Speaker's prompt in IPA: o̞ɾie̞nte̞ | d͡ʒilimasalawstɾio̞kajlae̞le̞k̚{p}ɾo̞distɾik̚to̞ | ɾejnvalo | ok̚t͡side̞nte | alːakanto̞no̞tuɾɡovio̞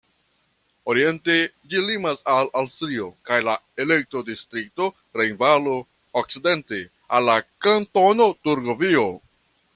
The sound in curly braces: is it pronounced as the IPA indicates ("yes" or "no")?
no